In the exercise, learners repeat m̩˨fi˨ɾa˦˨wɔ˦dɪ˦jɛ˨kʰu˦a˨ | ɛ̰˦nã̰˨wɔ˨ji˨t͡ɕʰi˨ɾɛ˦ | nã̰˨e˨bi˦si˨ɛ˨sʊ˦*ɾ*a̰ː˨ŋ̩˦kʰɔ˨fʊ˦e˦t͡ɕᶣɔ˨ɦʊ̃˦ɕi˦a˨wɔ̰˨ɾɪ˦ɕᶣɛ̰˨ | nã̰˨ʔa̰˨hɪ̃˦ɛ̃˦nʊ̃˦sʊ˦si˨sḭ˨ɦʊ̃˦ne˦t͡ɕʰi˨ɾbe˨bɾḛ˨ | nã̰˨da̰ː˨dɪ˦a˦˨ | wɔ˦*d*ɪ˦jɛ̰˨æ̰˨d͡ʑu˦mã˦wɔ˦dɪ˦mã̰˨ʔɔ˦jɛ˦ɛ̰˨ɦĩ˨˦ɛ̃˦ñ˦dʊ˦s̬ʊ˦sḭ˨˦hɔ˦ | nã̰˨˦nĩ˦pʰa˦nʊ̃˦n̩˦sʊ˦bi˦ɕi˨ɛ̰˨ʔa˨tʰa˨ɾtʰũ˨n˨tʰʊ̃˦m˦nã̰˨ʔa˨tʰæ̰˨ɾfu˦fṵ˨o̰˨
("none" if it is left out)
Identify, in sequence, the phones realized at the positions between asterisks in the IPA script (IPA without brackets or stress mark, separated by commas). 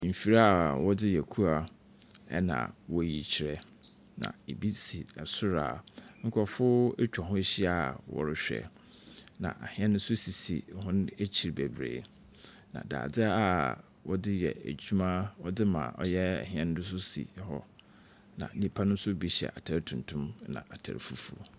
ɾ, d